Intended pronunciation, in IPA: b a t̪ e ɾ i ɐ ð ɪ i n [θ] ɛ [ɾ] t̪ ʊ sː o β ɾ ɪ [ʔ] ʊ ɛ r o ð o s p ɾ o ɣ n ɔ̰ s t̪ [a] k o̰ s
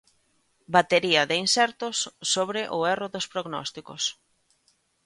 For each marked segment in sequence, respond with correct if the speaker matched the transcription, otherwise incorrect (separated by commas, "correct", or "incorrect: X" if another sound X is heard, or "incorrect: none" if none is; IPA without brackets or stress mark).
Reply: incorrect: s, correct, correct, incorrect: i